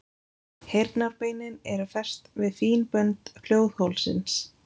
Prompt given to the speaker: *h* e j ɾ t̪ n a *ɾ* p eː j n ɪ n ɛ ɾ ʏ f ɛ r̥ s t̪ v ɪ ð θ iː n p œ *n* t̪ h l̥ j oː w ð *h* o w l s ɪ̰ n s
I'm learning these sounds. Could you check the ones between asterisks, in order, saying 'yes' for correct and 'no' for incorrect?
yes, yes, yes, yes

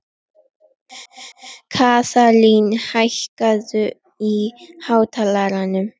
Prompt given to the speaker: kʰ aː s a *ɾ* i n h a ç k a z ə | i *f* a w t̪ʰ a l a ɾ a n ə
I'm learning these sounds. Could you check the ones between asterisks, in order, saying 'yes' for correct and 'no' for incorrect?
no, no

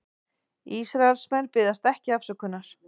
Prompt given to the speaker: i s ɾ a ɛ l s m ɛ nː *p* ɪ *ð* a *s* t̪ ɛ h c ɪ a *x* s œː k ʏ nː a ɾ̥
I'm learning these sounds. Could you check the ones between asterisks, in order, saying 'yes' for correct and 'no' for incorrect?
yes, yes, yes, no

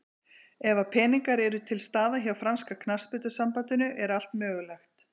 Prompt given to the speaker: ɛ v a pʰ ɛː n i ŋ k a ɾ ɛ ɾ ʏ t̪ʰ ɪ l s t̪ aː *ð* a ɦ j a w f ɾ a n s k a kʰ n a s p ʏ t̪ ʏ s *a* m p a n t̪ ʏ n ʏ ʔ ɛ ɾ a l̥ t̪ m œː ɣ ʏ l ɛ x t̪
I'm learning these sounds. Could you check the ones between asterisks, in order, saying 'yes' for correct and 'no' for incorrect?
yes, yes

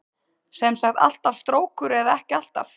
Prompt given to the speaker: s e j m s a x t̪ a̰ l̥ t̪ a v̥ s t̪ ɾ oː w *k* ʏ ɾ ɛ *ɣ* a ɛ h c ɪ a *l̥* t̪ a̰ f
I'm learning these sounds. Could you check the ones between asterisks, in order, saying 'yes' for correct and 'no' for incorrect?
yes, no, yes

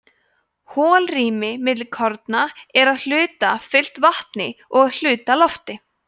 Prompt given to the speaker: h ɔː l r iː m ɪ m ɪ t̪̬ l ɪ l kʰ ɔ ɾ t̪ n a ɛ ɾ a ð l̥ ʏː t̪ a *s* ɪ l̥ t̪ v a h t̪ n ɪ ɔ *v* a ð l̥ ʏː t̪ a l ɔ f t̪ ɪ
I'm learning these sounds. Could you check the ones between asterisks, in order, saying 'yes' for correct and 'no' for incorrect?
no, no

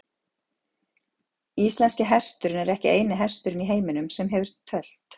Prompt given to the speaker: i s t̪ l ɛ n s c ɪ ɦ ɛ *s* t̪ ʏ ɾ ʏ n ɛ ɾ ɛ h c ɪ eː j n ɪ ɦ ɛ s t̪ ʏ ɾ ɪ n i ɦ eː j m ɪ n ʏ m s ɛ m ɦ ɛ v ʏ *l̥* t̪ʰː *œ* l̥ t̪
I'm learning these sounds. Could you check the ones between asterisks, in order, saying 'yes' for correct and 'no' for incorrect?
yes, no, yes

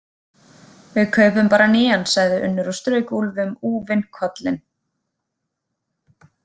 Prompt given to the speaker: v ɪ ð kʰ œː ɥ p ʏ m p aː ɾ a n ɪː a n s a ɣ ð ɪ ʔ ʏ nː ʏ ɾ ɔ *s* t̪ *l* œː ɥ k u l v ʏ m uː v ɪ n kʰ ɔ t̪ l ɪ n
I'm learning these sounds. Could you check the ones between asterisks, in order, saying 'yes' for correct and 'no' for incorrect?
yes, no

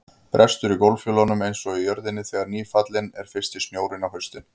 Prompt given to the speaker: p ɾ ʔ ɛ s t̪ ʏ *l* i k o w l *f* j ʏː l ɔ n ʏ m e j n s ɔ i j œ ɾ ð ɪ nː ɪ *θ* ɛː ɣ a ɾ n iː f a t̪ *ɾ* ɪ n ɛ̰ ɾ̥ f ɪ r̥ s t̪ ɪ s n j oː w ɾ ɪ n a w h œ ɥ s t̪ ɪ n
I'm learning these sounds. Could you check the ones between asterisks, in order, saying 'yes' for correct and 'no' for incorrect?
no, yes, yes, no

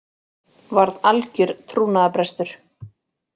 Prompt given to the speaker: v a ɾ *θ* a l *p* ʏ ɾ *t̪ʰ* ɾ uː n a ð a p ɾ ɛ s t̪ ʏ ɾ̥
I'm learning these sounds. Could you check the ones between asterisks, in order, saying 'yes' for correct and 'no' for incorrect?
no, no, yes

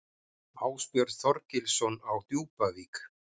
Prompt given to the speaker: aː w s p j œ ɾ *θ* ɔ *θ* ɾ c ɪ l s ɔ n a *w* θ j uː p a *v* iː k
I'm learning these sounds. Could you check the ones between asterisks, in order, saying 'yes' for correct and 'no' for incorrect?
yes, no, yes, yes

